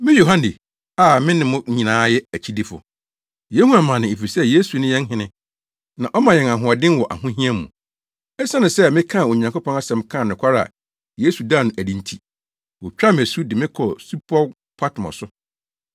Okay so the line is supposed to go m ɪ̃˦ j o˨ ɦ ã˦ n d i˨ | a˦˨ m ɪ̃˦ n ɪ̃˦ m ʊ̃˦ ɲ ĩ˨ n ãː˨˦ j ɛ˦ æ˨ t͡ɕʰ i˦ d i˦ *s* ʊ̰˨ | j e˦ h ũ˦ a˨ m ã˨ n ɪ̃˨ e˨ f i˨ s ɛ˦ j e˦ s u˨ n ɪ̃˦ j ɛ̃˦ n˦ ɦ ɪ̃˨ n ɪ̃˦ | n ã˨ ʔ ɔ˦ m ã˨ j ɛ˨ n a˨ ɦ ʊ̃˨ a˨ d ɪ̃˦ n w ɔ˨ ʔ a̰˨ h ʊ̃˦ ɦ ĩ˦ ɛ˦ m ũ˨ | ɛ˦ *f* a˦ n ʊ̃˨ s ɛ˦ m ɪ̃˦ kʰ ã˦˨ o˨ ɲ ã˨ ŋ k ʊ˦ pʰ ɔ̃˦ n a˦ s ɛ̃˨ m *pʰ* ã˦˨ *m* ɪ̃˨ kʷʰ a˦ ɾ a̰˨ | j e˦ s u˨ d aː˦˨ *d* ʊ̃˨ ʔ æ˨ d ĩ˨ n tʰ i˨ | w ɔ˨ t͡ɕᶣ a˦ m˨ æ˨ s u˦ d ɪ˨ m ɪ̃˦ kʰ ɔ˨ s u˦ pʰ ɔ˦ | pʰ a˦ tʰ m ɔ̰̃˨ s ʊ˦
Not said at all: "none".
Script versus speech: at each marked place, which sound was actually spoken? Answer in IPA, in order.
f, s, kʰ, n, n

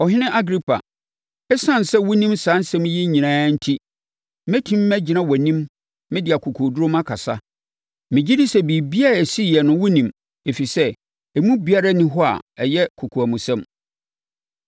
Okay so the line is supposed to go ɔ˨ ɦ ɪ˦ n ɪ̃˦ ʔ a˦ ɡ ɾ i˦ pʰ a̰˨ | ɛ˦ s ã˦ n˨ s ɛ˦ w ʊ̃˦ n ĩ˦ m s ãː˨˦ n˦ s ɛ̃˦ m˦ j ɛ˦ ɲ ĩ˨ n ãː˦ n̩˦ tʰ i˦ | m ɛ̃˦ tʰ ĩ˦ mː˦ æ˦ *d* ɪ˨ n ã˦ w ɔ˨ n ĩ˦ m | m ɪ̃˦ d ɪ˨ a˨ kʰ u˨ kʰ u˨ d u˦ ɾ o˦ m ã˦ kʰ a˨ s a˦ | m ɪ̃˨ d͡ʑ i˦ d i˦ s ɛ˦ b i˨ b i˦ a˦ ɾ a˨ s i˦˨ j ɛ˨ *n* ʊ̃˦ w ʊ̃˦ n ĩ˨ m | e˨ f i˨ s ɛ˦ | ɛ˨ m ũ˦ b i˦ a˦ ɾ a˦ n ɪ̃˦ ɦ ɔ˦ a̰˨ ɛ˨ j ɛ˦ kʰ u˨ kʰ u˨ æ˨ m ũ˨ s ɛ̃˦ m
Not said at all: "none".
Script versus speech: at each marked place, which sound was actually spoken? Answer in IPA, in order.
d͡ʑ, n

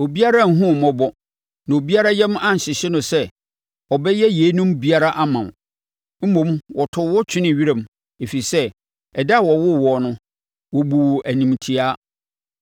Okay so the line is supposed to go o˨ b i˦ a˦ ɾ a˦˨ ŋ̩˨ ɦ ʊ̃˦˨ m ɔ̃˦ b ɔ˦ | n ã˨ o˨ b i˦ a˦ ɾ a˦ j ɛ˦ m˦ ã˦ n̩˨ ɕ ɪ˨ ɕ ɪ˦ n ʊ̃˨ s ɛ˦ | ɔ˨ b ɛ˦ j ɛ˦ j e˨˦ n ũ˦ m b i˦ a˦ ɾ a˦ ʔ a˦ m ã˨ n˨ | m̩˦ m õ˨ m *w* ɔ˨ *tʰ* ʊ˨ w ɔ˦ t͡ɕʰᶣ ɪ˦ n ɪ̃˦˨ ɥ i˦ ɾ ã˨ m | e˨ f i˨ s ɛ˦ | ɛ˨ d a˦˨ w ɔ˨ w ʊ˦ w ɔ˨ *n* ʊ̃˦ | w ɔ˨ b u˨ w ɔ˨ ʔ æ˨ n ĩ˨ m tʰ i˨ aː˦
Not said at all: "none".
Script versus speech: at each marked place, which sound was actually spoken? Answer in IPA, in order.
w, tʰ, n

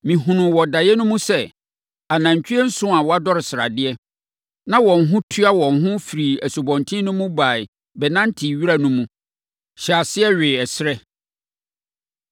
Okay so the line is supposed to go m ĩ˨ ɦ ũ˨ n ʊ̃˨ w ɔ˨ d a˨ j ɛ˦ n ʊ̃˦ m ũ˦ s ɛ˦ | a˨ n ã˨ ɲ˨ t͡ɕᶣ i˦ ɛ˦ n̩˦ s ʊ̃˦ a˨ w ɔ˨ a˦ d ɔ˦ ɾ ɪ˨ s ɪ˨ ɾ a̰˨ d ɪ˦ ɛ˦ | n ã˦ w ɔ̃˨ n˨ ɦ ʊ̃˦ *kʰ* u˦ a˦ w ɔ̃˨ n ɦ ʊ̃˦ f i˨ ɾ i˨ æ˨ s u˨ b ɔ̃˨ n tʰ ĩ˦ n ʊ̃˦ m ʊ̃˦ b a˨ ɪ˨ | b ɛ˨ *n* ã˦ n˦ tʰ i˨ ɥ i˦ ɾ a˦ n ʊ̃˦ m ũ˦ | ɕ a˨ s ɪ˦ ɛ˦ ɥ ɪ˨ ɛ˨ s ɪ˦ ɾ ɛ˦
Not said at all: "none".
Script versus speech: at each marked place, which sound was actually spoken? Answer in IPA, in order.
tʰ, n

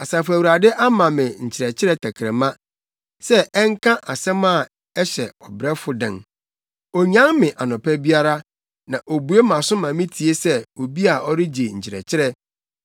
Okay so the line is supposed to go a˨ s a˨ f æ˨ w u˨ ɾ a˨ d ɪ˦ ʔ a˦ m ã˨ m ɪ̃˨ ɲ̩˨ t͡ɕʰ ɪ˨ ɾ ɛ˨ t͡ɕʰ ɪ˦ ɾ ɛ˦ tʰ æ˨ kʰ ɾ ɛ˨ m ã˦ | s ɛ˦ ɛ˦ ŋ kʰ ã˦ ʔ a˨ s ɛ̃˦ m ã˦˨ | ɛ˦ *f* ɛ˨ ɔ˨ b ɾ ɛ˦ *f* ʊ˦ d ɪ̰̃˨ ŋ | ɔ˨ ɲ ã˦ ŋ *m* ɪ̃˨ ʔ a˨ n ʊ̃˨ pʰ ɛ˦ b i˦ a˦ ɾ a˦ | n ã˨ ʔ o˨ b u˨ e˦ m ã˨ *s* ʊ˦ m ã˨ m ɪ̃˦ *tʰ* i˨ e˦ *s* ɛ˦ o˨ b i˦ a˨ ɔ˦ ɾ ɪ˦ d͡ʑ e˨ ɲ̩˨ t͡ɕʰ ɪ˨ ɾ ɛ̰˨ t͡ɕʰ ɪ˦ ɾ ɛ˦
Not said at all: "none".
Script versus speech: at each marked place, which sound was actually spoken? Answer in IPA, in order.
ɕ, f, m, s, tʰ, s

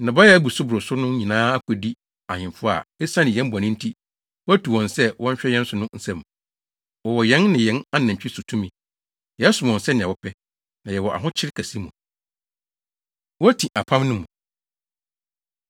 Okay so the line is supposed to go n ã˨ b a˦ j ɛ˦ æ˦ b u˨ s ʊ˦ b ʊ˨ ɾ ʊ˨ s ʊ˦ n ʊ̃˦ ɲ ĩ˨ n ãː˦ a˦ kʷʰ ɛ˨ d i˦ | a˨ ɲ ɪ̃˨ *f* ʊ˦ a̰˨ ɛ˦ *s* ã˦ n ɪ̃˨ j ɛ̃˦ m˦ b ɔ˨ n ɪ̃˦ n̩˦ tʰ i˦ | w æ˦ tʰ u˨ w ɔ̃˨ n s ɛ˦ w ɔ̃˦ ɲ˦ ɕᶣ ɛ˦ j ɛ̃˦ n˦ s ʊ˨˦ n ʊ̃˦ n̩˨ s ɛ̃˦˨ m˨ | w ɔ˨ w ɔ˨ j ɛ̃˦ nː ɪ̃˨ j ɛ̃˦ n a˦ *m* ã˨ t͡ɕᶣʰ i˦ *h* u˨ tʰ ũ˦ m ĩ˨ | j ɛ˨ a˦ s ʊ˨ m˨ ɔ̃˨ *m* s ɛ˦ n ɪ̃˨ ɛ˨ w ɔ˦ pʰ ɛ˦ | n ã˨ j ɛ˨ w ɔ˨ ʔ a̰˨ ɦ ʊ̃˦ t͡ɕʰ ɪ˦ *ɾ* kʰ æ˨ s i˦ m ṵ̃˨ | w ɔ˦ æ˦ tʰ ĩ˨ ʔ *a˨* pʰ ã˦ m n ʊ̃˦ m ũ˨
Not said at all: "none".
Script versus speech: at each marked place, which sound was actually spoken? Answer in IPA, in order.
f, s, n, s, n, ɾ, a˨

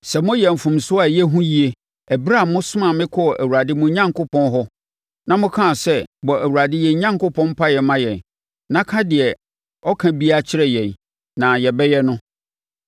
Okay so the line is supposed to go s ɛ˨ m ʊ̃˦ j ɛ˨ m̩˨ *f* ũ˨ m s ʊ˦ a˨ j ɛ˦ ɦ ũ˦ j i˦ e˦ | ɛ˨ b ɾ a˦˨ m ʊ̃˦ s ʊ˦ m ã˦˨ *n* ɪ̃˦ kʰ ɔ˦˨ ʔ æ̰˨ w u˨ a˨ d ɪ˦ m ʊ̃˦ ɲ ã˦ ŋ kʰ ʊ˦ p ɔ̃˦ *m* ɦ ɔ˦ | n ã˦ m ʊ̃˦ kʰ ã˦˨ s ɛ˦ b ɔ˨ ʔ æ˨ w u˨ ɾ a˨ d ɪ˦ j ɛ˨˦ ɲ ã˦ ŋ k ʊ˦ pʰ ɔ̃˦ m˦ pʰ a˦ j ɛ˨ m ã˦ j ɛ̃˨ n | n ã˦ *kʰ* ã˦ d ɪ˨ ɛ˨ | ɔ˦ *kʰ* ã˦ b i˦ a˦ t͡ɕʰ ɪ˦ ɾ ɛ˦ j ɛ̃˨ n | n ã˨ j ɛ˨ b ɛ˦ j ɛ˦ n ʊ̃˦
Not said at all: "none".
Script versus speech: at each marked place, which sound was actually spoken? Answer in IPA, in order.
f, m, n, kʰ, kʰ

